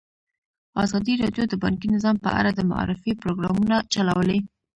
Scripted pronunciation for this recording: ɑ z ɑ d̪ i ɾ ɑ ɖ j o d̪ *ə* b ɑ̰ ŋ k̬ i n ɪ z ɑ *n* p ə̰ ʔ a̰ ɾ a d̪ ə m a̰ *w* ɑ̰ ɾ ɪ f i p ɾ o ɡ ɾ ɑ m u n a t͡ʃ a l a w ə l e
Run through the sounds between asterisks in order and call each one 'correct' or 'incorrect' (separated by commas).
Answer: correct, incorrect, incorrect